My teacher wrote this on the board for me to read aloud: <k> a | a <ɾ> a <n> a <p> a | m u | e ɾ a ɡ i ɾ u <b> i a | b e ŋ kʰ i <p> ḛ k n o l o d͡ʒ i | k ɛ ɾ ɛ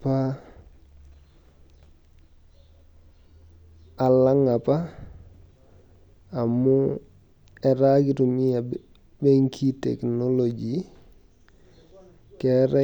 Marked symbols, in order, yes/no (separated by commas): no, no, no, yes, no, no